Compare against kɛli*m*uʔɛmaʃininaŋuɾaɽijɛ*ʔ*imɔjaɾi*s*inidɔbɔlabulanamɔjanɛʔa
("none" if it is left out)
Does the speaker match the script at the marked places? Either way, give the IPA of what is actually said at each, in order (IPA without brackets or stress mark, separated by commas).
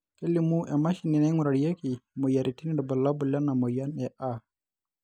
m, k, t